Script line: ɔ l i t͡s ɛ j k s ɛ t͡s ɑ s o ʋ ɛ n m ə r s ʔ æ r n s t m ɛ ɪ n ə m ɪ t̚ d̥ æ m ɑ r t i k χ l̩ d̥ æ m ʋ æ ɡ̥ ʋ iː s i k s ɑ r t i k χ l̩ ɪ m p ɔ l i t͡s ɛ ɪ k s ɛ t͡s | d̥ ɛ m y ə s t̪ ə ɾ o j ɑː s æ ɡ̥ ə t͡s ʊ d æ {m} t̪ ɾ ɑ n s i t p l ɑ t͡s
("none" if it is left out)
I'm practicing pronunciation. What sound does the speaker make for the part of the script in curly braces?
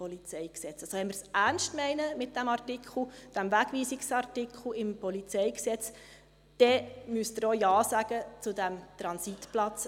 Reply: m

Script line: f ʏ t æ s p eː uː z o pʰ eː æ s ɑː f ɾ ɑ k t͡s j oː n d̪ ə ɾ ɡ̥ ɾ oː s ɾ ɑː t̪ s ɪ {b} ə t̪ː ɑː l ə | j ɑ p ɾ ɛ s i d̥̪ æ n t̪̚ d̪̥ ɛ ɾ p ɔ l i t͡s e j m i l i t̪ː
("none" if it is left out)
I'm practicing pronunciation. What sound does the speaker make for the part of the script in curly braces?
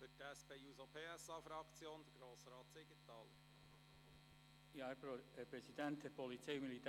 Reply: ɡ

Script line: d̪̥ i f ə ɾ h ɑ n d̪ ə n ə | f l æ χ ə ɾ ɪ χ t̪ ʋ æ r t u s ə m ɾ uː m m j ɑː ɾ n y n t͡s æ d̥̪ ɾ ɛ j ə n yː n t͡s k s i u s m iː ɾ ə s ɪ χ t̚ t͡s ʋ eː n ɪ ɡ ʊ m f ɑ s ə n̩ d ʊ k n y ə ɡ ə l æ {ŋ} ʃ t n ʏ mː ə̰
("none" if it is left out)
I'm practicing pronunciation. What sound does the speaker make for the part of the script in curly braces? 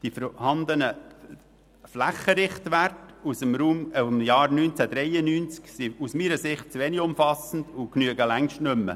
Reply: ŋ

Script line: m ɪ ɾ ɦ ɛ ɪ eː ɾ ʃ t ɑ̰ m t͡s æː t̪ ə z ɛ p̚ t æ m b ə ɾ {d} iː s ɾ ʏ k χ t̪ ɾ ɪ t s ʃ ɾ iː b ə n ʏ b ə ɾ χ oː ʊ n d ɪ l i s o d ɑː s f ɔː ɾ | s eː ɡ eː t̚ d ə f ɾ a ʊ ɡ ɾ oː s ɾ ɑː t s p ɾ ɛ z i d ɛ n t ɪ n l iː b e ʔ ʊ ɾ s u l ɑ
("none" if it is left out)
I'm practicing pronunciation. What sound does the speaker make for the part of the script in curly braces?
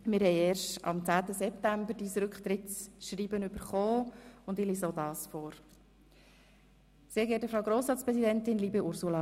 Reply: d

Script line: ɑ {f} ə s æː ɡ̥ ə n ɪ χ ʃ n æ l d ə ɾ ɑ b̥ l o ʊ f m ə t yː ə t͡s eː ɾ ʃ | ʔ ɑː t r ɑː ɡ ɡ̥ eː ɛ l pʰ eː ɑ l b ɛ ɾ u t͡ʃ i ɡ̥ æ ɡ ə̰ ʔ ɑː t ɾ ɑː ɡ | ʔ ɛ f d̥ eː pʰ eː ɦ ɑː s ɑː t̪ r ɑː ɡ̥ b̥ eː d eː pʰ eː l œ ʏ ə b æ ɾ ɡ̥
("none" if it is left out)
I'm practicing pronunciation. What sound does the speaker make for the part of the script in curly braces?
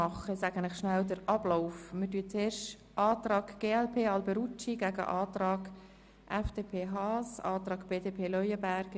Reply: χ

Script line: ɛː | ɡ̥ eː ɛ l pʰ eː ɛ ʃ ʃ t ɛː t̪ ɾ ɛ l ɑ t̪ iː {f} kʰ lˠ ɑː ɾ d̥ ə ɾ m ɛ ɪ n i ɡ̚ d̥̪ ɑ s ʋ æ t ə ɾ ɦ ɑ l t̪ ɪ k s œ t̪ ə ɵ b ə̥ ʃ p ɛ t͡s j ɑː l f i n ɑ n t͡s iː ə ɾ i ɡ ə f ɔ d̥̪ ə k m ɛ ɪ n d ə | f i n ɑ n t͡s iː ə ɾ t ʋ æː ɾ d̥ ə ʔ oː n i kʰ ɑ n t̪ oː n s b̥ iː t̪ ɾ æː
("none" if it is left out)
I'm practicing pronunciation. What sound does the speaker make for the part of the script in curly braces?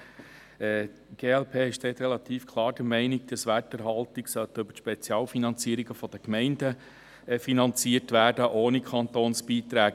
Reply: f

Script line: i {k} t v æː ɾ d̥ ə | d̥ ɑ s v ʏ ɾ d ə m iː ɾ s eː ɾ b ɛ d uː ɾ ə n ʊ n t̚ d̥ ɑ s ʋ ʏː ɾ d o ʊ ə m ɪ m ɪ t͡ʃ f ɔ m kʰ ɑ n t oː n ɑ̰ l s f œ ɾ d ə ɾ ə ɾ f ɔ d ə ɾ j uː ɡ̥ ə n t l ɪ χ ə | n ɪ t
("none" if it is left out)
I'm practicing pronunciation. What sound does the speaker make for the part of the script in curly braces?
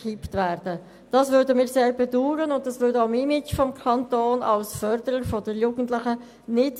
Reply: p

